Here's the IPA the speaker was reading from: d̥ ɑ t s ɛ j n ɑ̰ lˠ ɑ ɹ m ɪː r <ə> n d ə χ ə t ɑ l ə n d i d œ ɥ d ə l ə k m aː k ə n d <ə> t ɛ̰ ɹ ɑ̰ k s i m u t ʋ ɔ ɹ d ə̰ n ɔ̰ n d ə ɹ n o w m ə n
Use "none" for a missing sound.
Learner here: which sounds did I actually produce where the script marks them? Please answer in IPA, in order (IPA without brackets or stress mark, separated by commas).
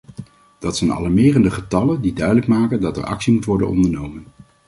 ə, ɑ